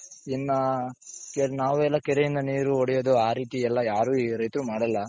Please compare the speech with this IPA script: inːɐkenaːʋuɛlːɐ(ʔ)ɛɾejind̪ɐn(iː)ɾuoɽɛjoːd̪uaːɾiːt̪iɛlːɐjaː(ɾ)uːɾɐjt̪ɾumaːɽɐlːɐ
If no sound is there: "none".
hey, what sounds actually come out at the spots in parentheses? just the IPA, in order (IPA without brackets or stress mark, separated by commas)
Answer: k, iː, ɾ